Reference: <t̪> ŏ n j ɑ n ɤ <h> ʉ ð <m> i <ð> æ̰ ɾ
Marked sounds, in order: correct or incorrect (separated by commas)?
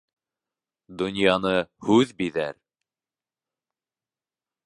incorrect, correct, incorrect, correct